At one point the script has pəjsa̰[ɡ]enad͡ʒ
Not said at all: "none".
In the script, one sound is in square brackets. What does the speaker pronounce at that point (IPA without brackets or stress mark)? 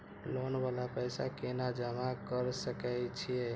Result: k